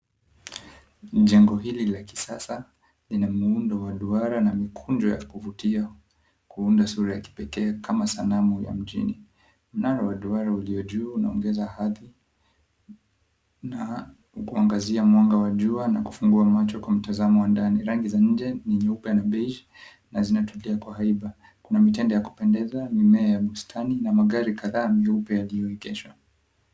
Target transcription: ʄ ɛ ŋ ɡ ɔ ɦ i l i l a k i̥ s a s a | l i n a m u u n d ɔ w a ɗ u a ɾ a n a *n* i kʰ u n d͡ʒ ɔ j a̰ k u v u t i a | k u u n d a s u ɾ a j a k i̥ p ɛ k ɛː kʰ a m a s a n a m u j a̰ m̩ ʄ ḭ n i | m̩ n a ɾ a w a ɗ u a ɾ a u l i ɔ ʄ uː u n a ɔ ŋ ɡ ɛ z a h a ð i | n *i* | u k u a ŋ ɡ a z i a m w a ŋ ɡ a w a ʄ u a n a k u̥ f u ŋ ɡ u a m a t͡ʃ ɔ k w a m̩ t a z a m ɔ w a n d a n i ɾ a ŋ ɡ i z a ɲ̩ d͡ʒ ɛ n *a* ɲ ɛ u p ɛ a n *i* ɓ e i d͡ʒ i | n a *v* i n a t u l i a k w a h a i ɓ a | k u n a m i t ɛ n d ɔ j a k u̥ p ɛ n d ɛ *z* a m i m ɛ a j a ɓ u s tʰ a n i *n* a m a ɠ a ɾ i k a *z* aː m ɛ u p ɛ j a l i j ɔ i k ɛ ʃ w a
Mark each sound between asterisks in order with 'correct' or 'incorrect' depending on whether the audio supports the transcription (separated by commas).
incorrect, incorrect, incorrect, incorrect, incorrect, correct, correct, incorrect